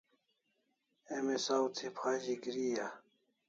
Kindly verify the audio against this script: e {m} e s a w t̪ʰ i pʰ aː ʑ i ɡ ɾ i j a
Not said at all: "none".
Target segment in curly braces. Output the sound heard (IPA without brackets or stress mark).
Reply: m